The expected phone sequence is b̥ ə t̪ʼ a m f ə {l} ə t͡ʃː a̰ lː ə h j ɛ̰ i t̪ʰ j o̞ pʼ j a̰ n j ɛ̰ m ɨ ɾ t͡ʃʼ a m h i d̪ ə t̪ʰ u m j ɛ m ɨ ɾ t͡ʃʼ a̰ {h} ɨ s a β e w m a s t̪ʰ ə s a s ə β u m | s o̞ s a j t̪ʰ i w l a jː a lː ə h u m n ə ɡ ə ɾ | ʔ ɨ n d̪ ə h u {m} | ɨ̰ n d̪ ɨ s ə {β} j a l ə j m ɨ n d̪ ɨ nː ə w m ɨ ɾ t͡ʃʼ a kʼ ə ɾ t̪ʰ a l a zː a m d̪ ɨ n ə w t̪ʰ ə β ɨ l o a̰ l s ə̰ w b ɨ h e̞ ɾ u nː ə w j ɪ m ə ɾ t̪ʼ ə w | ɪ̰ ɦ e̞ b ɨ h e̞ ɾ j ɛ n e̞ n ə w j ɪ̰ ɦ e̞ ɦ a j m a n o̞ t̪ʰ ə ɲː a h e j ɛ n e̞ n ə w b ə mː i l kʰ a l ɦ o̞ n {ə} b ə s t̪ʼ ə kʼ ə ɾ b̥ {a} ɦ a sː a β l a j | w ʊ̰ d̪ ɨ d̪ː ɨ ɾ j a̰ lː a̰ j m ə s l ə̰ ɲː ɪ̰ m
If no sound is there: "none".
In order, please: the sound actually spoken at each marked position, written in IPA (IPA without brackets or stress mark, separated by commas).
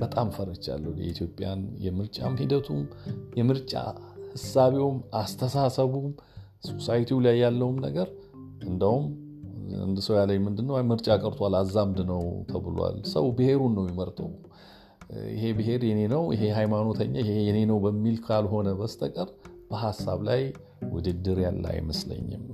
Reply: ɾ, h, m, w, ə, ə